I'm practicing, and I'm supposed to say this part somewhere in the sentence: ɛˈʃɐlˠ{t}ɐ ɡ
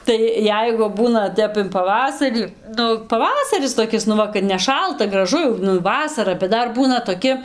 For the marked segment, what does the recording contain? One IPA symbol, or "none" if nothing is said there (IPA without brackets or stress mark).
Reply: t